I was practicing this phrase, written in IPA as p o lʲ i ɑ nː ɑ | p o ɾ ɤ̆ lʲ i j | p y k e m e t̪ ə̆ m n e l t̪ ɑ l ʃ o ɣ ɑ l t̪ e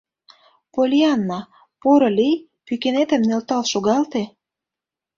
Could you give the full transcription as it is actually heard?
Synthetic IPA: p o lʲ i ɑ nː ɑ | p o ɾ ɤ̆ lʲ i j | p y k e n e t̪ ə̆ m n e l t̪ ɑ l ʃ o ɣ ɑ l t̪ e